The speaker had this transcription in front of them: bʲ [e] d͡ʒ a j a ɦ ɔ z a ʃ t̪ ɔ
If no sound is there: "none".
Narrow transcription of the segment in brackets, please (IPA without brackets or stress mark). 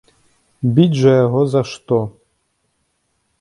i